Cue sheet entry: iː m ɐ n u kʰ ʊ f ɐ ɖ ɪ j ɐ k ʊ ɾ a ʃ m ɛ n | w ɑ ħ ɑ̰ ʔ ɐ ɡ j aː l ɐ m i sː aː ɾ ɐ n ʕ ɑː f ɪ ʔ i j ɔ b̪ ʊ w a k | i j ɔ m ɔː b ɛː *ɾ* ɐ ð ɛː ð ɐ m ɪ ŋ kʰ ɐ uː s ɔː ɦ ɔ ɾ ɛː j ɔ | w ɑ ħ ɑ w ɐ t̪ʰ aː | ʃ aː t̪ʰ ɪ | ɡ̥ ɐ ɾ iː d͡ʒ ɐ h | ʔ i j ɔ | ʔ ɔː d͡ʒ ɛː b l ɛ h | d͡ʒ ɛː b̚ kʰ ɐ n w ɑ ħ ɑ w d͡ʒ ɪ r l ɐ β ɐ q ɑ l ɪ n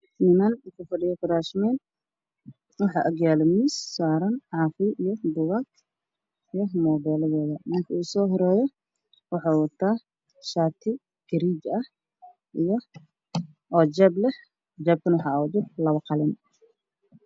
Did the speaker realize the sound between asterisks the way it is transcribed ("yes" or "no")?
no